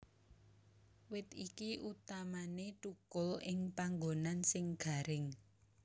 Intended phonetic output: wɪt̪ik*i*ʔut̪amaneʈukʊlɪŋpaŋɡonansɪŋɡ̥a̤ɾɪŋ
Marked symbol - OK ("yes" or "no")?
yes